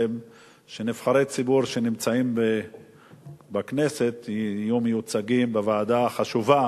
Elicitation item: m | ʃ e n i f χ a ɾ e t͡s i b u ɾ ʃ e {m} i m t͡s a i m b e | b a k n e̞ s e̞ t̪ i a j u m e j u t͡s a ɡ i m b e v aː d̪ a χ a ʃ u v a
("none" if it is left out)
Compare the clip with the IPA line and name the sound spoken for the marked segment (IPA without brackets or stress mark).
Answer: n